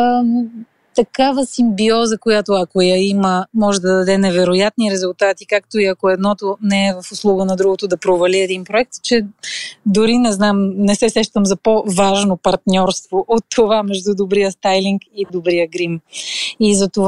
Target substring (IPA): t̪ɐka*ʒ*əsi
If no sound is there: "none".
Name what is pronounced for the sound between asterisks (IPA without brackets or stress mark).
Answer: v